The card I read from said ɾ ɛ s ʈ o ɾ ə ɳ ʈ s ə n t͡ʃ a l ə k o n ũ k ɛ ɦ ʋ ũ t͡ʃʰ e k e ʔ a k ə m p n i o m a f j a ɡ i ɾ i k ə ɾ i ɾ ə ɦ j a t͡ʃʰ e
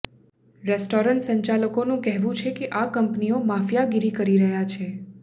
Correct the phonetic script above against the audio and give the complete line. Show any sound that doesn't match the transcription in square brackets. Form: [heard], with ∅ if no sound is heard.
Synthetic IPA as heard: ɾ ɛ s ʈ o ɾ ə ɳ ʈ s ə [ɲ] t͡ʃ a l ə k o n ũ k ɛ ɦ ʋ ũ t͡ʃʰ e k e ʔ a k ə m p n i o m a f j a ɡ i ɾ i k ə ɾ i ɾ ə ɦ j a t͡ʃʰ e